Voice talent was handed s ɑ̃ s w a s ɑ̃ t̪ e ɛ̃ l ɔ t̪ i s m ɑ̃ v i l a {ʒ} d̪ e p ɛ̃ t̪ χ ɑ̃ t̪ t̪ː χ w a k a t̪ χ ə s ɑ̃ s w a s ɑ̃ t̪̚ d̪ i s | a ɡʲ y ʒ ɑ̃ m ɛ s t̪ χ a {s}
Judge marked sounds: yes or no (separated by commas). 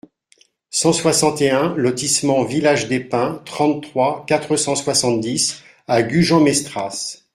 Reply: yes, yes